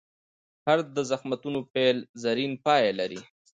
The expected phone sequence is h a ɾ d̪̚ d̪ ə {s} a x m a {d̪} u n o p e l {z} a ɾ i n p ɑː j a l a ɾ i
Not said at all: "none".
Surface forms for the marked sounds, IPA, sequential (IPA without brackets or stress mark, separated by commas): z, t̪, z